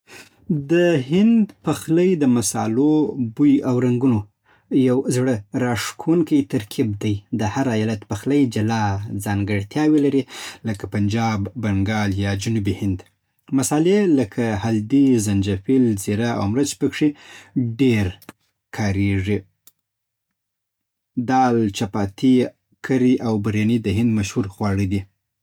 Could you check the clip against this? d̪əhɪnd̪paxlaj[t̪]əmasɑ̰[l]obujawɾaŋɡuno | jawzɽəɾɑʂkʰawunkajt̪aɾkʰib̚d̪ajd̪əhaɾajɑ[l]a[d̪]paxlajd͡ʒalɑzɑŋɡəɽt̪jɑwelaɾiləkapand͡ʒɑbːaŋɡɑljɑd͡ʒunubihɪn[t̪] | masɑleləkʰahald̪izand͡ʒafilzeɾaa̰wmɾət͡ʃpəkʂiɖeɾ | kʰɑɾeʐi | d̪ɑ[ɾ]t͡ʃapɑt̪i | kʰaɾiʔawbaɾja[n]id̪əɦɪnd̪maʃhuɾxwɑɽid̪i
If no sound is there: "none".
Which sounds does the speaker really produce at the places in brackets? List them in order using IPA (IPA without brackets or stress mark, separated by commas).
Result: d̪, l, l, t̪, d̪, l, n